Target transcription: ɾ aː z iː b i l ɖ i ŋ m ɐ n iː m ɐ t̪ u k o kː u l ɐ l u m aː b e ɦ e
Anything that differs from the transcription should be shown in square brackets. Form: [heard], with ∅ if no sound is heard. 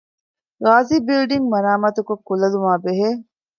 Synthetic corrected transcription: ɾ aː z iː b i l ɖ i ŋ m ɐ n [aː] m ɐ t̪ u k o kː u l ɐ l u m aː b e ɦ e